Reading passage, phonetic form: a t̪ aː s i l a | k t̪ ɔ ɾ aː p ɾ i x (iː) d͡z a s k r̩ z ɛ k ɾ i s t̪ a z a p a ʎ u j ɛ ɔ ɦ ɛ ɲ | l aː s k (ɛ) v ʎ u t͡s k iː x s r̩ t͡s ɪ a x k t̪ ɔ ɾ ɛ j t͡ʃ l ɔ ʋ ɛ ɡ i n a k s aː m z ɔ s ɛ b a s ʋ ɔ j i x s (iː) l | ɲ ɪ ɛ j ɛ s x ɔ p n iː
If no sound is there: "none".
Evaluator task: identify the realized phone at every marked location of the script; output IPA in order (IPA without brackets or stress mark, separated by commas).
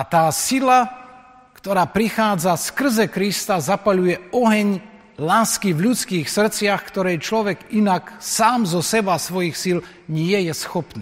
aː, i, i